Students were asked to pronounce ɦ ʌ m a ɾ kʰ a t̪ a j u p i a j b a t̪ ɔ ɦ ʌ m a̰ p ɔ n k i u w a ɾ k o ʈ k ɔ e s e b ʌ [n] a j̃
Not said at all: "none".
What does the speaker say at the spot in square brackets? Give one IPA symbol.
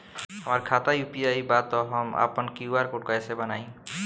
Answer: n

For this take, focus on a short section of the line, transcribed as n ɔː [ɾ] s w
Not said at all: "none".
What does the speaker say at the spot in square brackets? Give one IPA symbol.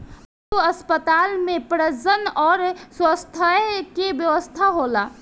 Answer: ɾ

